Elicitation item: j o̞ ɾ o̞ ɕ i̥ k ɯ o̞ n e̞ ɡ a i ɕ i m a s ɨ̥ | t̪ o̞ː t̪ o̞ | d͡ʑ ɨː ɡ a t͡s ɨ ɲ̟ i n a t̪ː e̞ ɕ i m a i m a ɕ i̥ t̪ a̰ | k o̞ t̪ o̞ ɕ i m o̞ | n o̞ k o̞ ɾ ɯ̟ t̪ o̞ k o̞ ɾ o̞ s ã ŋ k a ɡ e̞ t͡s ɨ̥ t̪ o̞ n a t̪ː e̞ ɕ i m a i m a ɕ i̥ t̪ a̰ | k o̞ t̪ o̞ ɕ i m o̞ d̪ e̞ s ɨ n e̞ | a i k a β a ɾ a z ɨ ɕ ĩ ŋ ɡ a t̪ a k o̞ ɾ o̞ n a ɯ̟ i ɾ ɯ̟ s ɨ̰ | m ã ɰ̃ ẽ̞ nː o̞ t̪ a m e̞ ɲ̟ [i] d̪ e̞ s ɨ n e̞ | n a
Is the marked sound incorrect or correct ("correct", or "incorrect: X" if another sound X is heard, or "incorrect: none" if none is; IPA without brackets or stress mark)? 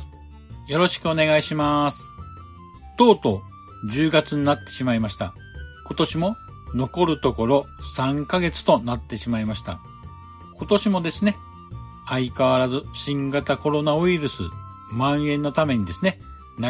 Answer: correct